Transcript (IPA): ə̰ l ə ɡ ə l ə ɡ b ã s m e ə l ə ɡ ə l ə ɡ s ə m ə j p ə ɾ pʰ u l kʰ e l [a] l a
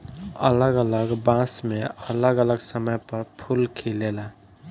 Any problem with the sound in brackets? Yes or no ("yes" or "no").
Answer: yes